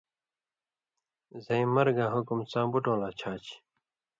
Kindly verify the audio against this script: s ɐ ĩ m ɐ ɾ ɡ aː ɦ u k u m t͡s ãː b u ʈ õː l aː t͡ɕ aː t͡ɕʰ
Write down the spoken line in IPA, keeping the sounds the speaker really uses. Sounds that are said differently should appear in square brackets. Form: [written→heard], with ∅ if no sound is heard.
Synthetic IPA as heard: [s→z] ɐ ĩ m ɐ ɾ ɡ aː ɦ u k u m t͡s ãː b u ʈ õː l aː [t͡ɕ→t͡ɕʰ] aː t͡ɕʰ

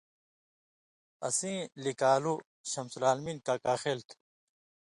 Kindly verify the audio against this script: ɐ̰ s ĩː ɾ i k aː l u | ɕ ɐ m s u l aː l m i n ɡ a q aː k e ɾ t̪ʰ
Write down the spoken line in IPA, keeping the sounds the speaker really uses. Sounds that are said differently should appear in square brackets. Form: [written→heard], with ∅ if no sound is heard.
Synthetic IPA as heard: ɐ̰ s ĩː [ɾ→l] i k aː l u | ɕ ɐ m s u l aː l m i n [ɡ→k] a [q→k] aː [k→x] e [ɾ→l] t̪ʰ

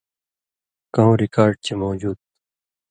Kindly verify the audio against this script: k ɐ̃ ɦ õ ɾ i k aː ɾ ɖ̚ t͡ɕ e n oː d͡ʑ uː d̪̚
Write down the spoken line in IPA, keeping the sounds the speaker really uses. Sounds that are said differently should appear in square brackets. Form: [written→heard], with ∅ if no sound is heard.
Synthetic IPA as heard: k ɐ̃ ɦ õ ɾ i k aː ɾ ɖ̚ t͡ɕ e [n→m] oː d͡ʑ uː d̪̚

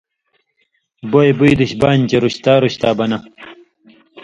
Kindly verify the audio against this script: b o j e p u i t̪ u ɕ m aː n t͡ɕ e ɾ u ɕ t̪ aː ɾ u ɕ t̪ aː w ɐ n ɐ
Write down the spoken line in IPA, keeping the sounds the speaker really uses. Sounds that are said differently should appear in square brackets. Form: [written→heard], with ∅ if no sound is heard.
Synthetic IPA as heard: b o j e [p→b] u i [t̪→d̪] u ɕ [m→b] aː n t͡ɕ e ɾ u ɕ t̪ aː ɾ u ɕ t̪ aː [w→b] ɐ n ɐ

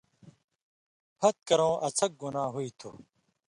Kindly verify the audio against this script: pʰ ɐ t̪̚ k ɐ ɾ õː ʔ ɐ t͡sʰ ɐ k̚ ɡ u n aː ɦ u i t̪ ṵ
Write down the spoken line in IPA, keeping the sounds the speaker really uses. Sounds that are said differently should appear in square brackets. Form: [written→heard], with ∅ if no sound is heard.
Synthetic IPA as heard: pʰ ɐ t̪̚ k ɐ ɾ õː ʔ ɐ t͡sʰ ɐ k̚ ɡ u n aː ɦ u i [t̪→t̪ʰ] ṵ

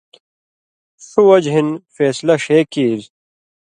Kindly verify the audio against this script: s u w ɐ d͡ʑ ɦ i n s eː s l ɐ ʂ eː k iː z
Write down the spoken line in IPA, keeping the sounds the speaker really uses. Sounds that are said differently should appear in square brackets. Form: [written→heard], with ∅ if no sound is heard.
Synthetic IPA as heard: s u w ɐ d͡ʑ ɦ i n [s→f] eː s l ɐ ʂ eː k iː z

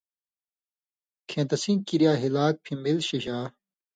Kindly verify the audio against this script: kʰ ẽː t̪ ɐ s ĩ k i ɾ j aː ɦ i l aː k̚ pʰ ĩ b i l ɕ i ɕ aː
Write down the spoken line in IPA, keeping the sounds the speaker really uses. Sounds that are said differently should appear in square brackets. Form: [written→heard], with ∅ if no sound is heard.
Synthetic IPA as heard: kʰ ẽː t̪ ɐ s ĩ k i ɾ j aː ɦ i l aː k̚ pʰ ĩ [b→m] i l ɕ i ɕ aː

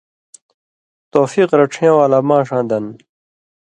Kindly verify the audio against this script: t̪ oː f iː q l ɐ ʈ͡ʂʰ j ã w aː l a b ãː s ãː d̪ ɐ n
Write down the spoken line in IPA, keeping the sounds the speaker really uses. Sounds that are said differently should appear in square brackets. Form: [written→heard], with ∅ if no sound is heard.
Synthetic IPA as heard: t̪ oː f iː q [l→ɾ] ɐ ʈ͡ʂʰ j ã w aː l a [b→m] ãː [s→ʂ] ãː d̪ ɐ n

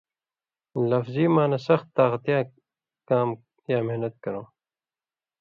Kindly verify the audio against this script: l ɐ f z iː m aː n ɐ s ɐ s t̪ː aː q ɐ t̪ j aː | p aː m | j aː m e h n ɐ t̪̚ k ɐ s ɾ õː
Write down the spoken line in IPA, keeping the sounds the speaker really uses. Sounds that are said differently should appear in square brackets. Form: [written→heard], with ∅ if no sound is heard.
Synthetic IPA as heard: l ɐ f z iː m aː n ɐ s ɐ [s→x] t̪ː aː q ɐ t̪ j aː | [p→k] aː m | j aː m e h n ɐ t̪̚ k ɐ [s→∅] ɾ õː

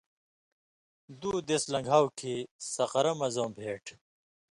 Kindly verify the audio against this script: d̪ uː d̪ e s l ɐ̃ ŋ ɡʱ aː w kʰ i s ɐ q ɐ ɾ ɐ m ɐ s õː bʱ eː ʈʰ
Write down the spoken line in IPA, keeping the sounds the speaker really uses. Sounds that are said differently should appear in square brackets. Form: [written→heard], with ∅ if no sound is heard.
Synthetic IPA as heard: d̪ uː d̪ e s l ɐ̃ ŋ ɡʱ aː w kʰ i s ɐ q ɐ ɾ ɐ m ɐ [s→z] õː bʱ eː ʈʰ

